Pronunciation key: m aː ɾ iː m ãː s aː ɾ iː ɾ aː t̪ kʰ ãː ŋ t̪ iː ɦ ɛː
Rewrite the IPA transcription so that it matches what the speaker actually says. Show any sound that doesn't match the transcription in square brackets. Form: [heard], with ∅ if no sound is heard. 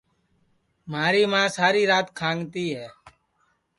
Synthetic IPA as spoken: m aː ɾ iː m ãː s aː ɾ iː ɾ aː t̪ kʰ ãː ŋ t̪ iː ɦ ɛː